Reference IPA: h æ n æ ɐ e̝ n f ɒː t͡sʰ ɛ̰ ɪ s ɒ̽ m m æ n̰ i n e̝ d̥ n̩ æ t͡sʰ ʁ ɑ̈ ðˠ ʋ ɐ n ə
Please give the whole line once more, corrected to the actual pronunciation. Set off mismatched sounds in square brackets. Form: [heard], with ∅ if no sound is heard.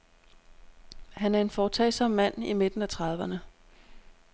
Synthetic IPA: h æ n æ ɐ e̝ n f ɒː t͡sʰ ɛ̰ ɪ s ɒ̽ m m æ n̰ i [m] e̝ d̥ n̩ æ t͡sʰ ʁ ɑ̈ ðˠ ʋ ɐ n ə